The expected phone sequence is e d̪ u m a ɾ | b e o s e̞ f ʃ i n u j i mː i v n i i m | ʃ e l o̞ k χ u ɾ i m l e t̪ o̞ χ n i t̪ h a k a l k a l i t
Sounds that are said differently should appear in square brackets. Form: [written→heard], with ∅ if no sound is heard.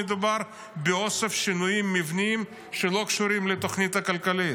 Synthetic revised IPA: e d̪ u [m→b] a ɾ | b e o s e̞ f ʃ i n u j i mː i v n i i m | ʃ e l o̞ k [χ→ʃ] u ɾ i m l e t̪ o̞ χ n i t̪ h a k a l k a l i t

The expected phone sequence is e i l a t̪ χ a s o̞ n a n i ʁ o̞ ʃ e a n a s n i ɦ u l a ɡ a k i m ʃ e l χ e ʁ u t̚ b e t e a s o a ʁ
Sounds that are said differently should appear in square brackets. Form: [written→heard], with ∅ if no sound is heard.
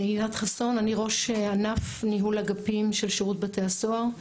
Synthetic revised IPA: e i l a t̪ χ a s o̞ n a n i ʁ o̞ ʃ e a n a [s→f] n i ɦ u l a ɡ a [k→p] i m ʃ e l [χ→ʃ] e ʁ u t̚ b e t e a s o a ʁ

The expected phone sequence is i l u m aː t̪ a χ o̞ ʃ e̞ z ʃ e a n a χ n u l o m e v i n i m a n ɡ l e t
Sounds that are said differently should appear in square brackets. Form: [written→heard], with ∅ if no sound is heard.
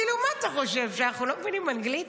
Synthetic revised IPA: i l u m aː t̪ a χ o̞ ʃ e̞ [z→v] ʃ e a n a χ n u l o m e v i n i m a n ɡ l [e→i] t

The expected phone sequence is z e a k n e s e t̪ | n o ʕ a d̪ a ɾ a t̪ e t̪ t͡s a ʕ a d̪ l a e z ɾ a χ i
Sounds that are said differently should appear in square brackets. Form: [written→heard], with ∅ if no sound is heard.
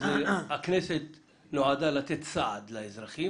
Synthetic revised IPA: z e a k n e s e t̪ | n o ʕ a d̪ a [ɾ→l] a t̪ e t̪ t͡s a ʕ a d̪ l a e z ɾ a χ i

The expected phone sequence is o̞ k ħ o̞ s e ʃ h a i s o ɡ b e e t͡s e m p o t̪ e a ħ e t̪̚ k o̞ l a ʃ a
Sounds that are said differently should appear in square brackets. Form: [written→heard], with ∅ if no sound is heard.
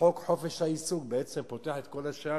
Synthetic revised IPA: o̞ k ħ o̞ [s→f] e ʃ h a i s [o→u] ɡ b e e t͡s e m p o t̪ e a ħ e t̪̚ k o̞ l a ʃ a

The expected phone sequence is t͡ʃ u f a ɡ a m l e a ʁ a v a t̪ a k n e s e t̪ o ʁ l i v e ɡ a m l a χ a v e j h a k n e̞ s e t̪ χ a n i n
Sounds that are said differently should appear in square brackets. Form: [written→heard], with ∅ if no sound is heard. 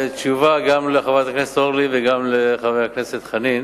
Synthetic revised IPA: t͡ʃ u [f→v] a ɡ a m l e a [ʁ→χ] a v a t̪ a k n e s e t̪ o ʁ l i v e ɡ a m l [a→e] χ a v e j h a k n e̞ s e t̪ χ a n i n

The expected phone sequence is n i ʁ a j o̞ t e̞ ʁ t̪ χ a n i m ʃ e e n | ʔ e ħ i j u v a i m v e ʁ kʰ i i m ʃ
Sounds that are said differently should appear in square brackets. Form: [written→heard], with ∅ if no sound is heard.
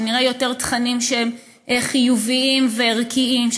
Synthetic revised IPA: n i ʁ a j o̞ t e̞ ʁ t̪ χ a n i m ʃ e e [n→m] | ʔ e [ħ→χ] i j u v [a→i] i m v e ʁ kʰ i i m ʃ

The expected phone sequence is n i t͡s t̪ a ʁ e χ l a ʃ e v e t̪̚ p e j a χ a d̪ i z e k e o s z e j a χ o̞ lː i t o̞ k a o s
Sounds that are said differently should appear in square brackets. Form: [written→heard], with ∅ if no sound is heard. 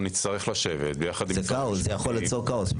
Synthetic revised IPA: n i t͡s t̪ a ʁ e χ l a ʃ e v e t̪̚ [p→b] e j a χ a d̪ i z e k [e→a] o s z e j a χ o̞ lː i [t→t͡s] o̞ k a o s

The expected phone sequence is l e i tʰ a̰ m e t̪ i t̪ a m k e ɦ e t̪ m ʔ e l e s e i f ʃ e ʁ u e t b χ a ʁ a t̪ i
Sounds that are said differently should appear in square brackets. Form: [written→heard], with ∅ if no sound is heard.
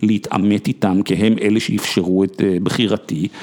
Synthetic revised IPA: l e i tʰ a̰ m e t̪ i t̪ a m k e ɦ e [t̪→∅] m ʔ e l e [s→ʃ] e i f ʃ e ʁ u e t b χ [a→i] ʁ a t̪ i

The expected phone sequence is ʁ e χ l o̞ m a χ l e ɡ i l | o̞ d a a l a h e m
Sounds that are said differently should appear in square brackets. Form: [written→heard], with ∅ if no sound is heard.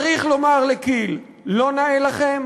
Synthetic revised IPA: ʁ [e→i] χ l o̞ m a [χ→ʁ] l e [ɡ→k] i [l→lː] | o̞ [d→n] a [a→e] l a [h→χ] e m

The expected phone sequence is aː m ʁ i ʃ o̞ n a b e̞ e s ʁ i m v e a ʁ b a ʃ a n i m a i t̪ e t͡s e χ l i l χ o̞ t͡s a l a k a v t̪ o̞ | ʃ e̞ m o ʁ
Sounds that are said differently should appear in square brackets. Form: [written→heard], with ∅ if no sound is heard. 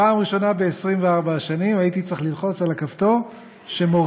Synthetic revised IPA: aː m ʁ i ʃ o̞ n a b e̞ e s ʁ i m v e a ʁ b a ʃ a n i m a i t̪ [e→i] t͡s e χ l i l χ o̞ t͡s a l a k a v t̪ o̞ | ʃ e̞ m o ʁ

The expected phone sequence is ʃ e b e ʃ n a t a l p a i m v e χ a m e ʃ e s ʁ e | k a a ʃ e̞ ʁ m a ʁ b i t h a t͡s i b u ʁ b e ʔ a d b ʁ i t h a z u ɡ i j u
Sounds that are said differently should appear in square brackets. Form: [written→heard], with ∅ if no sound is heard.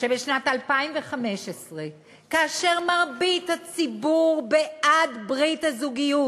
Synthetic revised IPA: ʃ e b e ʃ n a t a l p a i m v e χ a m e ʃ e s ʁ e | k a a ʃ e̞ ʁ m a ʁ b i t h a t͡s i b u ʁ b e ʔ a d b ʁ i t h a z u ɡ i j u

